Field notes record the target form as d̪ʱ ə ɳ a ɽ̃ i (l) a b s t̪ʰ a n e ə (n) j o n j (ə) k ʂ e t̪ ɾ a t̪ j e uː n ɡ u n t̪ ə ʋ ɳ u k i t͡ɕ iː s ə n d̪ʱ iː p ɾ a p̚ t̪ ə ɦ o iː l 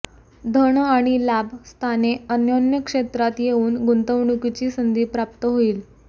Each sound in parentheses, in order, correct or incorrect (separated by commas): correct, correct, correct